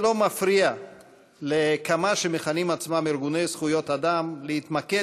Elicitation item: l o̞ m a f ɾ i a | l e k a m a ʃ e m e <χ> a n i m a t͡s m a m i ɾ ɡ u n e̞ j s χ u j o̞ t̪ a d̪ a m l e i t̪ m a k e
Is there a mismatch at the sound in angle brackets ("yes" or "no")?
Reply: no